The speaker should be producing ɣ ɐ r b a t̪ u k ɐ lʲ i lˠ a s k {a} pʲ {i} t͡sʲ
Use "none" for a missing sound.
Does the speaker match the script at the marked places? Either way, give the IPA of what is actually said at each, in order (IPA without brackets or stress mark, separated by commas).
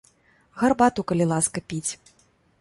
ɐ, i